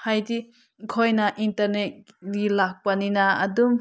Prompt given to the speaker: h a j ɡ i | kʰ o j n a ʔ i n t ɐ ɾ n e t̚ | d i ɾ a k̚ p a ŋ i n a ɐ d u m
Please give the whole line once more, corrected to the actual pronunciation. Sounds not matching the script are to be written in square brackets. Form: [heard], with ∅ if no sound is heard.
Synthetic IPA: h a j [d] i | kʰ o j n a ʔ i n t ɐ ɾ n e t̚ | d i [l] a k̚ p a [n] i n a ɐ d u m